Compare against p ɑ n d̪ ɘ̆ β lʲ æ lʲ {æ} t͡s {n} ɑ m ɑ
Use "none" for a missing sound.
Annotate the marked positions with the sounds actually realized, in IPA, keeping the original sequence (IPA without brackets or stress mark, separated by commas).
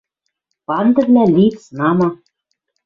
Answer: i, n